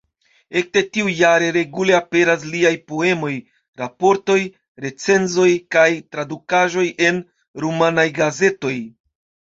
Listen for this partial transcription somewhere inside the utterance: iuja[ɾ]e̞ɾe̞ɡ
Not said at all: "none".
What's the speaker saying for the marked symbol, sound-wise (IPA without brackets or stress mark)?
ɾ